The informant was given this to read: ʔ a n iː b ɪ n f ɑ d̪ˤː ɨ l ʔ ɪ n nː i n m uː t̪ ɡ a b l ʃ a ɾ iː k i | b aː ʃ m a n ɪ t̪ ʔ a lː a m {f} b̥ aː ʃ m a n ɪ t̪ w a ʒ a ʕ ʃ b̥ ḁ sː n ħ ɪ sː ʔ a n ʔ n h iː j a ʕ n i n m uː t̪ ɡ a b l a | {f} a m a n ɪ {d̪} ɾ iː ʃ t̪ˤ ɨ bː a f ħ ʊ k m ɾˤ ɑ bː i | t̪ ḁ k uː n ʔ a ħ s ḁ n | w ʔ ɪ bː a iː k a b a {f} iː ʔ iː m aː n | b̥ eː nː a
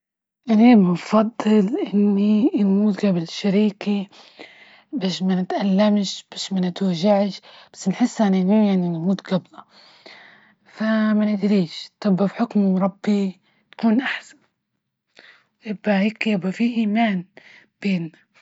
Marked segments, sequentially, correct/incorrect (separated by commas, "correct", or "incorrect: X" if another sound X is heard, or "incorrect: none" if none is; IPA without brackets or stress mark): incorrect: ʃ, correct, correct, correct